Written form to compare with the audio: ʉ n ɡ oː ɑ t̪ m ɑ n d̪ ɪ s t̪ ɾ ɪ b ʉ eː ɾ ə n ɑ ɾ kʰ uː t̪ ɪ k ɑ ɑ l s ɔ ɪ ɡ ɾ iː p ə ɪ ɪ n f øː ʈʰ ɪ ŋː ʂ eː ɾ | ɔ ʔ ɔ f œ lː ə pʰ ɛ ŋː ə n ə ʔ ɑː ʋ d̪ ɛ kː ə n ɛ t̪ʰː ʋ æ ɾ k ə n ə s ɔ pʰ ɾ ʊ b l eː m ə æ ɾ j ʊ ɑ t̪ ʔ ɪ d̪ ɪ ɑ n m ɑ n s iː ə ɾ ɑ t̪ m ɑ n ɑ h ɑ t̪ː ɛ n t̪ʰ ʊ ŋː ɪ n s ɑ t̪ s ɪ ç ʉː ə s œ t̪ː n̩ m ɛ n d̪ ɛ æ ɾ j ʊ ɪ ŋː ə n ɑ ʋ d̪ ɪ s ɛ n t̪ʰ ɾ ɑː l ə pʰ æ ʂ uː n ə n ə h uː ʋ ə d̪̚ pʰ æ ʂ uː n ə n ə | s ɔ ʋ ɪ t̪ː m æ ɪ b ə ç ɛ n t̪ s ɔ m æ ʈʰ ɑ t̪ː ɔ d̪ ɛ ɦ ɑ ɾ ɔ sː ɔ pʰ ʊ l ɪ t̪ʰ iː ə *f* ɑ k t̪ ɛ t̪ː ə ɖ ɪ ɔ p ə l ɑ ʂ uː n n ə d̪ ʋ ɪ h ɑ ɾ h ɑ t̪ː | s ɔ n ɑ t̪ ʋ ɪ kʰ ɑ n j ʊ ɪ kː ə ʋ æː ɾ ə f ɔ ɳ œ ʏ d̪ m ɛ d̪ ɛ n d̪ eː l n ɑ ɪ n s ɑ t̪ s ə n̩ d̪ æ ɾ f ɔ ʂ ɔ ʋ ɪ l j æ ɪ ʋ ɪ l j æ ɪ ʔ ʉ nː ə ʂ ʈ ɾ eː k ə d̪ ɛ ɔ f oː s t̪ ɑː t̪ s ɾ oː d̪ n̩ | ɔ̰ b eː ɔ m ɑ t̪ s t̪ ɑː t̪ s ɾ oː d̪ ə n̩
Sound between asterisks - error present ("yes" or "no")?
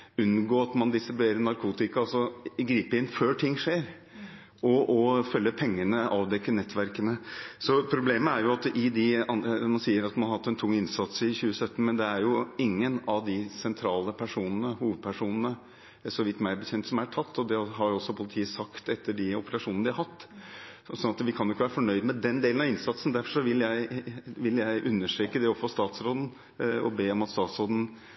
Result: yes